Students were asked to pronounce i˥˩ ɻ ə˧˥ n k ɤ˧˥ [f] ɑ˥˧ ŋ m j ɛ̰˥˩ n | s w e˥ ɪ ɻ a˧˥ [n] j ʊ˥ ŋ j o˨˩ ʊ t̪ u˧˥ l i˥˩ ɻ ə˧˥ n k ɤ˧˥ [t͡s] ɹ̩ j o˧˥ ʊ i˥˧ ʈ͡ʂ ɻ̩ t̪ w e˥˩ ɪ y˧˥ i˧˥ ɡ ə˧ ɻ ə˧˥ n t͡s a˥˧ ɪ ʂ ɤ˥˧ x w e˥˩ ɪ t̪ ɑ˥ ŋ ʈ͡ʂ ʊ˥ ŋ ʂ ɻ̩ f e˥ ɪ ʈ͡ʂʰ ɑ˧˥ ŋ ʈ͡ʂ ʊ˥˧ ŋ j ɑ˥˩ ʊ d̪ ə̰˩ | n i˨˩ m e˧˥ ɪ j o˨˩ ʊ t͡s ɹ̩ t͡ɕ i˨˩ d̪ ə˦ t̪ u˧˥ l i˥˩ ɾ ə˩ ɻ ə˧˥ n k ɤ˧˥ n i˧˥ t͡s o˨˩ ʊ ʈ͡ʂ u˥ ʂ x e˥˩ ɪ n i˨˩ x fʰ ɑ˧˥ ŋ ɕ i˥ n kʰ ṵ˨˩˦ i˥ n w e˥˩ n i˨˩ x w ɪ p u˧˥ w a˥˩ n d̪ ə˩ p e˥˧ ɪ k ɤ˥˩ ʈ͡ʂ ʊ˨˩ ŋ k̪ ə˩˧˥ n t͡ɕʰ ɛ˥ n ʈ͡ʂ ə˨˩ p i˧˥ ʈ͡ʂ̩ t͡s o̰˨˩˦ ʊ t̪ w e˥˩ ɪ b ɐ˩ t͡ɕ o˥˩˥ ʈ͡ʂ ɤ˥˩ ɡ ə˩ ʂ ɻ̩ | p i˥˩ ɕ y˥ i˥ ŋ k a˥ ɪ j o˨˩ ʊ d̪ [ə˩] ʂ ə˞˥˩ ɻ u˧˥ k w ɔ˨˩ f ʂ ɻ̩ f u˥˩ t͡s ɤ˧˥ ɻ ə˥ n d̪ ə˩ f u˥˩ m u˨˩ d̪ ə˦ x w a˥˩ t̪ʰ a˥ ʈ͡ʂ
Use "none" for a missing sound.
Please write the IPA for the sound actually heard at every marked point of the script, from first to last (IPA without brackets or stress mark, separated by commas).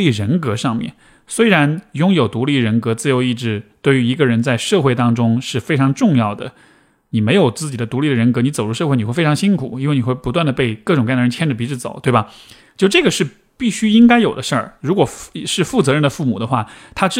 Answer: ʂ, n, t͡s, ə˦